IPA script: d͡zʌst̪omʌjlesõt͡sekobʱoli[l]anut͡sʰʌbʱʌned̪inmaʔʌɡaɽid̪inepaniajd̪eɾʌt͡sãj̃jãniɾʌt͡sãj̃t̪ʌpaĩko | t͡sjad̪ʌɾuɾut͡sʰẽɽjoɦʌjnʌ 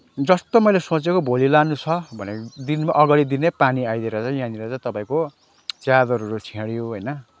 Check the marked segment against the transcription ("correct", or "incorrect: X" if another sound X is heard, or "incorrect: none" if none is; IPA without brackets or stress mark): correct